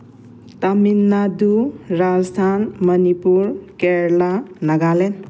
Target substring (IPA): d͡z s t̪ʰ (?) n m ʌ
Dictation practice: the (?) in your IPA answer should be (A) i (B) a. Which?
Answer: B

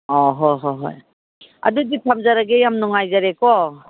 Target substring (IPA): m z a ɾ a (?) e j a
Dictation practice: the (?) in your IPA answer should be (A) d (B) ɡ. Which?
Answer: B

